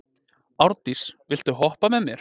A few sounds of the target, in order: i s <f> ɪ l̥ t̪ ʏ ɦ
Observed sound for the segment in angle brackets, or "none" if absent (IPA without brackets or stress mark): v